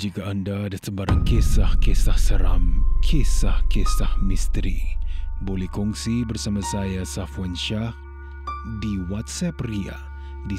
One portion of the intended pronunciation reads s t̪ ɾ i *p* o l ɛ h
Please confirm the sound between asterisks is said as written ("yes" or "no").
no